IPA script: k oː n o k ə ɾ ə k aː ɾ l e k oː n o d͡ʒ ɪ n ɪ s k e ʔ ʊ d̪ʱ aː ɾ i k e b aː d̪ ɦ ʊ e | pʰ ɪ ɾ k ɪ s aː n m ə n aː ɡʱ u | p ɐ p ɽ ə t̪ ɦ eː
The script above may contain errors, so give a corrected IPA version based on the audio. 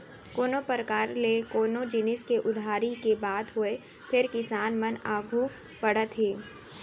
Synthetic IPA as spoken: k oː n o p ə ɾ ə k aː ɾ l e k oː n o d͡ʒ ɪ n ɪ s k e ʔ ʊ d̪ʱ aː ɾ i k e b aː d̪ ɦ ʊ e | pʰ ɪ ɾ k ɪ s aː n m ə n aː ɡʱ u | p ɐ ɽ ə t̪ ɦ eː